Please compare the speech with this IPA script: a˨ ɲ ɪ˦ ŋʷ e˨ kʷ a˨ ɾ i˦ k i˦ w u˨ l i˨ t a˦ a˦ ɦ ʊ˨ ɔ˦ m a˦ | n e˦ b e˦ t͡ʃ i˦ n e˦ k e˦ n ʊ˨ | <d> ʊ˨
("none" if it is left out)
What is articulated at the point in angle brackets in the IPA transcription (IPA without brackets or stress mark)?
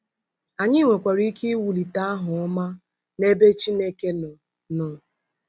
n